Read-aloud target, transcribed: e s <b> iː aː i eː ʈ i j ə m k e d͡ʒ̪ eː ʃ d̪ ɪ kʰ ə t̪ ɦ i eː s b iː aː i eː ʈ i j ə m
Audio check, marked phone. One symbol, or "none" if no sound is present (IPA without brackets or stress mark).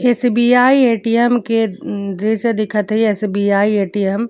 b